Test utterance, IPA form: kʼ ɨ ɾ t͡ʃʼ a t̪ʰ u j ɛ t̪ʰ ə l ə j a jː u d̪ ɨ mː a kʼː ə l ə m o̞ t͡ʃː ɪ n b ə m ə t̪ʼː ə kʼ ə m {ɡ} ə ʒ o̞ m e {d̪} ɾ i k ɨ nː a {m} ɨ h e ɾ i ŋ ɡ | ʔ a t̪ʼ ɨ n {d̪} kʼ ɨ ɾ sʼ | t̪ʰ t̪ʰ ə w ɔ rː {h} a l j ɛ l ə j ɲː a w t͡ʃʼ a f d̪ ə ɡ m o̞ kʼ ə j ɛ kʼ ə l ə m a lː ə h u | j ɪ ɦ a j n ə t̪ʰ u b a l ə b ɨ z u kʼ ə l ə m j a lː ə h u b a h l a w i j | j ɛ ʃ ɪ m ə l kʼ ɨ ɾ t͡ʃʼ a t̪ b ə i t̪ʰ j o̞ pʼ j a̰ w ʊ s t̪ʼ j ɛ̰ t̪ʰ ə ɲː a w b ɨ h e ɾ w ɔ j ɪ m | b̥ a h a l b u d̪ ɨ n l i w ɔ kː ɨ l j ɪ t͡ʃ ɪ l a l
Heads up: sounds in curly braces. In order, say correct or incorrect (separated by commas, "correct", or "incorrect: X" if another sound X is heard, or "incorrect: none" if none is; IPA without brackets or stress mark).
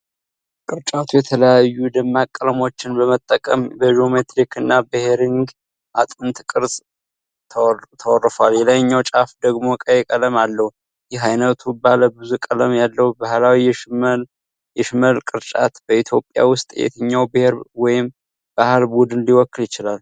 incorrect: b, incorrect: t̪, incorrect: b, incorrect: t̪, incorrect: f